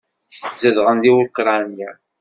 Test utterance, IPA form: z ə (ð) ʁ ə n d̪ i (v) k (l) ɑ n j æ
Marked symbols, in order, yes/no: yes, no, no

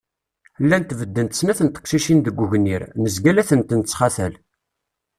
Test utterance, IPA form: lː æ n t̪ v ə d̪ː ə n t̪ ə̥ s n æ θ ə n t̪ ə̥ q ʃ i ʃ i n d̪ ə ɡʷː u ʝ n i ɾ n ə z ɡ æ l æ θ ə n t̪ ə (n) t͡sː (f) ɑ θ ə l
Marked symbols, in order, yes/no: yes, no

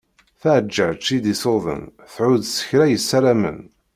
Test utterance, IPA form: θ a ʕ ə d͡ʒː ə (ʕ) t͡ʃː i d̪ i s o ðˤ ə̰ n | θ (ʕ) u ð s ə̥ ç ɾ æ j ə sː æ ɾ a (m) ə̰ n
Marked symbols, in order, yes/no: yes, yes, yes

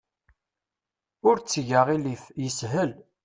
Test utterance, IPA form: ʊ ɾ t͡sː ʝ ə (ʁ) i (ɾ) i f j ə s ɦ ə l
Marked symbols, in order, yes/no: yes, no

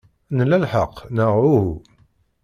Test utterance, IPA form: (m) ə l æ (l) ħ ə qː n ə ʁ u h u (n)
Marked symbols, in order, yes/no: no, yes, no

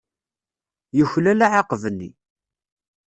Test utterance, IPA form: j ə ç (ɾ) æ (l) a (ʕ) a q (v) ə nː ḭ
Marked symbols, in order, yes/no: no, yes, yes, yes

